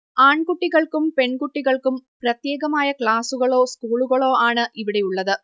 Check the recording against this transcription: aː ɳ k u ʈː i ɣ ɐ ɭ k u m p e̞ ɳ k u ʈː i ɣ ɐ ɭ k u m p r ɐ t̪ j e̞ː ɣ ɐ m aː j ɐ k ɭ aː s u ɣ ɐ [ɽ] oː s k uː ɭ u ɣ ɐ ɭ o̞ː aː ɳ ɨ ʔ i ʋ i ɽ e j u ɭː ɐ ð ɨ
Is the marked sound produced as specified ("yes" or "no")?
no